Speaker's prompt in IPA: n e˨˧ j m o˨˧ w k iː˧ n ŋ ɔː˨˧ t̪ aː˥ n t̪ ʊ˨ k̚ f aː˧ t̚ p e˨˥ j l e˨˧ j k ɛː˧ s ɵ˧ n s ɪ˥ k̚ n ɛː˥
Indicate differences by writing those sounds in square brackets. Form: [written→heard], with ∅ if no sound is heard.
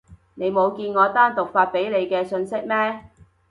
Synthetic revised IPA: n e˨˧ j m o˨˧ w k iː˧ n ŋ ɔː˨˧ t̪ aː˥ n t̪ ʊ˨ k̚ f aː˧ t̚ p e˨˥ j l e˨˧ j k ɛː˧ s ɵ˧ n s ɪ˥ k̚ [n→m] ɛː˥